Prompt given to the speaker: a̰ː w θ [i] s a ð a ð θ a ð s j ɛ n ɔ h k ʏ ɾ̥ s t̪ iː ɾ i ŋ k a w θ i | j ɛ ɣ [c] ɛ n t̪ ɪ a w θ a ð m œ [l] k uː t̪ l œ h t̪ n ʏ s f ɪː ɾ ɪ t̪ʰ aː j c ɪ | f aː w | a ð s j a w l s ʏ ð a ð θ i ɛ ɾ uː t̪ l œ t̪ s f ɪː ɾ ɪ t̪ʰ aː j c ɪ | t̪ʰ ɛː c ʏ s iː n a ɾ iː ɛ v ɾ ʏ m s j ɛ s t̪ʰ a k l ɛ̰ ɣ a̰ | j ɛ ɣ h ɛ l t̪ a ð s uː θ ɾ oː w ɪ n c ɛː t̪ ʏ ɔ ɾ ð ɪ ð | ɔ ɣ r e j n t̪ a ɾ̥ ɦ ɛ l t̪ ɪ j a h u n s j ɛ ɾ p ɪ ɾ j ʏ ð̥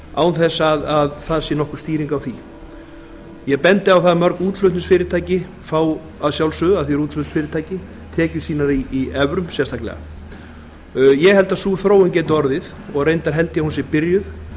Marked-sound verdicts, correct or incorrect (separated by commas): incorrect, incorrect, incorrect